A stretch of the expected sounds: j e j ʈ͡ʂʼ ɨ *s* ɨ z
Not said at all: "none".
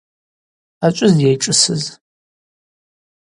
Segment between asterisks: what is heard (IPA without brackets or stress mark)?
s